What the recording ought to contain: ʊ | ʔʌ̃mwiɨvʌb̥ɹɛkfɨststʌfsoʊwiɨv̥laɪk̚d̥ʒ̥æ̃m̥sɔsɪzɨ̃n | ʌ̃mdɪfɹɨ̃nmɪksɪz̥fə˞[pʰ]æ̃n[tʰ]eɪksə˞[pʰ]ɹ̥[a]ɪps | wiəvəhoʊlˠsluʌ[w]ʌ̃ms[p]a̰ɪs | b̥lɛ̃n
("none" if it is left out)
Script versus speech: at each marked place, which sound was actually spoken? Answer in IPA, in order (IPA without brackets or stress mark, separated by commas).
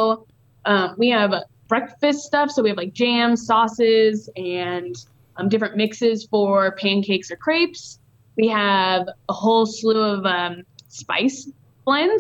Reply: pʰ, kʰ, kʰ, e, v, p